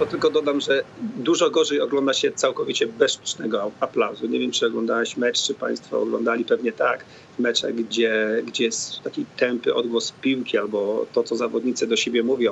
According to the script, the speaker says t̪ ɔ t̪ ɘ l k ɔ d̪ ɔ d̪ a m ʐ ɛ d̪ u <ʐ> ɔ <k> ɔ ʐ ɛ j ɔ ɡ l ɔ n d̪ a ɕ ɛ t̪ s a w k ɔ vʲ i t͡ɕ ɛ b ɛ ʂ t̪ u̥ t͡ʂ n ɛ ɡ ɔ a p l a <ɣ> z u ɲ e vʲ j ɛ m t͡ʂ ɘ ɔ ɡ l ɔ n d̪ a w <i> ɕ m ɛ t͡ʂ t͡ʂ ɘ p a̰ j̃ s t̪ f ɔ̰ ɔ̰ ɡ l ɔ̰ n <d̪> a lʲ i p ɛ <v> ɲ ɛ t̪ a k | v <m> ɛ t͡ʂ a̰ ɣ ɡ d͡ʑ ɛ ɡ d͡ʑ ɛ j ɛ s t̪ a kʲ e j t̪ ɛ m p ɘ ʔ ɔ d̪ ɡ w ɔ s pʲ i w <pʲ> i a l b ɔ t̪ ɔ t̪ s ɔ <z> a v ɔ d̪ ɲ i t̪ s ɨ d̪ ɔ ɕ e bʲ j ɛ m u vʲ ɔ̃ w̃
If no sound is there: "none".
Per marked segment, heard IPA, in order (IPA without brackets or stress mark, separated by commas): ʐ, ɡ, w, ɛ, d̪, v, m, kʲ, z